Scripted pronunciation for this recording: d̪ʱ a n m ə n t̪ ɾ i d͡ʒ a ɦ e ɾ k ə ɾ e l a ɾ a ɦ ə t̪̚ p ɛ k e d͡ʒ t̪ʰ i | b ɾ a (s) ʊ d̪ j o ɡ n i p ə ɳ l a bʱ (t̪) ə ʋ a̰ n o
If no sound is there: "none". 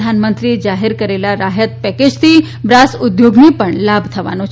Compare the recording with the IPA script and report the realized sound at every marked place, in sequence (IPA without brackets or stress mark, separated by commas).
s, t̪ʰ